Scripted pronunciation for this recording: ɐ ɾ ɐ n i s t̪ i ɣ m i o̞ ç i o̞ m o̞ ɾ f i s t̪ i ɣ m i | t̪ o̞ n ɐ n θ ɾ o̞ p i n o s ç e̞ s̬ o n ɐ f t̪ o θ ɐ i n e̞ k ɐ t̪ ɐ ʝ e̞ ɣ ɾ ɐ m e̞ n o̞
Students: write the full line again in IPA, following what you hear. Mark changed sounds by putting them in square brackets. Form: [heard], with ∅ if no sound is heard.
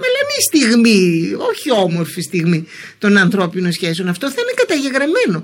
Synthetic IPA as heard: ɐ [l] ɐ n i s t̪ i ɣ m i o̞ ç i o̞ m o̞ ɾ f i s t̪ i ɣ m i | t̪ o̞ n ɐ n θ ɾ o̞ p i n o s ç e̞ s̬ o n ɐ f t̪ o θ ɐ i n e̞ k ɐ t̪ ɐ ʝ e̞ ɣ ɾ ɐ m e̞ n o̞